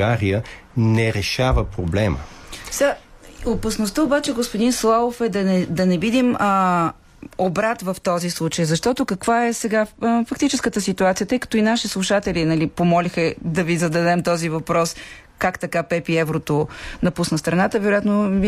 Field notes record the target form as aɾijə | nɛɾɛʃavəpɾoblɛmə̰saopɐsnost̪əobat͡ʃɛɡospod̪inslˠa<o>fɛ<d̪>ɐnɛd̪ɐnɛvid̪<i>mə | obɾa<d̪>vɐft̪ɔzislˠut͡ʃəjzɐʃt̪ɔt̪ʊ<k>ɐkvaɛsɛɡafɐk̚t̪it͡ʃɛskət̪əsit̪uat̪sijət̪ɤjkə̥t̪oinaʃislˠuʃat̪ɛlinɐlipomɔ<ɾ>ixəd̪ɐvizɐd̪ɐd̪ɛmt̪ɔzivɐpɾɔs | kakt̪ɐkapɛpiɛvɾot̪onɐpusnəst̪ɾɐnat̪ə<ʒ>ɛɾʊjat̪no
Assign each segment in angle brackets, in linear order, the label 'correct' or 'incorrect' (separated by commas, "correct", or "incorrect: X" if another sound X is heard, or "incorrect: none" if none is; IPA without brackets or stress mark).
correct, correct, correct, incorrect: t̪, correct, incorrect: l, incorrect: v